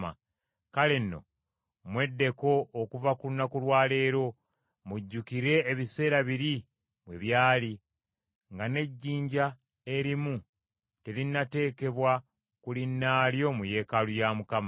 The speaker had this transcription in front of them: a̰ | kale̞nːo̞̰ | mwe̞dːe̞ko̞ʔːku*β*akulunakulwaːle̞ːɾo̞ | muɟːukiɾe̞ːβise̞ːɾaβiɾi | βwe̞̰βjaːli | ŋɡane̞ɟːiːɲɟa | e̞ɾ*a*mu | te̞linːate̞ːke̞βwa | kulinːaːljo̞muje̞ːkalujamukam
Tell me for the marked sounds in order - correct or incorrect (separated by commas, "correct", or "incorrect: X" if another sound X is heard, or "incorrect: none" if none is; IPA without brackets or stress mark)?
incorrect: v, incorrect: i